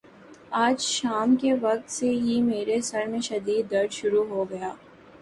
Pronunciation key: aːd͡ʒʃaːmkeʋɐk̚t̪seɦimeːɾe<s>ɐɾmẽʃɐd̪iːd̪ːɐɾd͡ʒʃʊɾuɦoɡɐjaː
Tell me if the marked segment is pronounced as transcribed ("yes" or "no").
yes